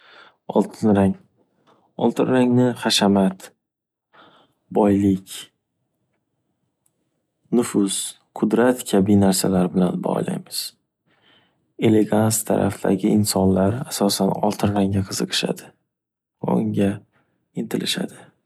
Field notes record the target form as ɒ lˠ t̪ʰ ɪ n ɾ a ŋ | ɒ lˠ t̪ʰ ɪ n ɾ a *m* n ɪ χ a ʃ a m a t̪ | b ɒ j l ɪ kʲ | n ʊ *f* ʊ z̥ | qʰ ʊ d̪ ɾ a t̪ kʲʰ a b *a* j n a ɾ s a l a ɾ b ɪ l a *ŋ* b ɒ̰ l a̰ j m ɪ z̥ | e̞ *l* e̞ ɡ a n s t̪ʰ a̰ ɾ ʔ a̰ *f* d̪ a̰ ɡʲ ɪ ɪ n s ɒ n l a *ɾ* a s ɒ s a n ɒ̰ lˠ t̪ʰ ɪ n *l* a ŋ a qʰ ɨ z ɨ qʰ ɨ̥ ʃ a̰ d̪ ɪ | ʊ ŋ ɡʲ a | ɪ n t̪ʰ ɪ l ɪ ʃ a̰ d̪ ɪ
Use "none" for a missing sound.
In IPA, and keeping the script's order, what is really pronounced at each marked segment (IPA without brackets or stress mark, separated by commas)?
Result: ŋ, f, i, n, l, f, ɾ, ɾ